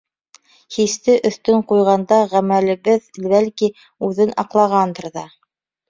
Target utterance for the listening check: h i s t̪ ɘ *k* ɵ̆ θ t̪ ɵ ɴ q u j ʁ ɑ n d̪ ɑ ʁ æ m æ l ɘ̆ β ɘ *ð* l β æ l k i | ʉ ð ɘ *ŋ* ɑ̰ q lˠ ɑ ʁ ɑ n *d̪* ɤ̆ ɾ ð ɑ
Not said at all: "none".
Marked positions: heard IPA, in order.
ʔ, ð, n, d̪

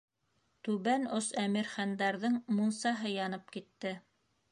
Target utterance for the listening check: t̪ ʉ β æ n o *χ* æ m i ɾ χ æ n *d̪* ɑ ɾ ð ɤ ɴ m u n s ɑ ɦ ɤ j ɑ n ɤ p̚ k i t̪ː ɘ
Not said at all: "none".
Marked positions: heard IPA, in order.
s, d̪

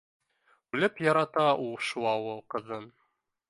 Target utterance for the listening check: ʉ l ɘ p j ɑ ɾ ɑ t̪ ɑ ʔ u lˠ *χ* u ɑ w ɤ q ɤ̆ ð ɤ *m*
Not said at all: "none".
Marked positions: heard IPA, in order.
ʃ, n

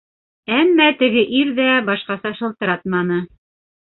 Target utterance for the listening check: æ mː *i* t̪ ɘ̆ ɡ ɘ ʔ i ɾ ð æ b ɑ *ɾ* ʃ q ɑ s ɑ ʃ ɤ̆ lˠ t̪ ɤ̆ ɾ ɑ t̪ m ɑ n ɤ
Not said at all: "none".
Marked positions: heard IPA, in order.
æ, none

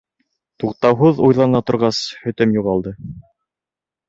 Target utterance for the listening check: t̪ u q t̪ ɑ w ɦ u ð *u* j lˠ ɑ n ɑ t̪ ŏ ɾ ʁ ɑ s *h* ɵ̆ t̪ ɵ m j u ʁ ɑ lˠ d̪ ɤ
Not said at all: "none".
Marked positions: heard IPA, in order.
u, h

